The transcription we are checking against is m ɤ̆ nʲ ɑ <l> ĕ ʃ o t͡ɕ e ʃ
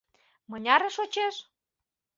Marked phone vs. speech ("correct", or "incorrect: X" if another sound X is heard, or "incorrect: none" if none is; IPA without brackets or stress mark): incorrect: ɾ